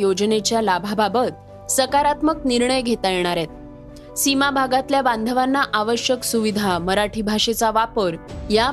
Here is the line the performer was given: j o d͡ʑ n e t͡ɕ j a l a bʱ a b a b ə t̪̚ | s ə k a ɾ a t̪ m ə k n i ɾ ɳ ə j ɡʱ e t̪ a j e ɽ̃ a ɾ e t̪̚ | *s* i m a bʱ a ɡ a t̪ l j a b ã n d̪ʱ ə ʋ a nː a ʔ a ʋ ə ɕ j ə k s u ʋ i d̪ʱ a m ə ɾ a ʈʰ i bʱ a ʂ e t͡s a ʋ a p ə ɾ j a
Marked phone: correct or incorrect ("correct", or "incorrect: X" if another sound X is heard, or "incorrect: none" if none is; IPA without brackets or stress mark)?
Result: correct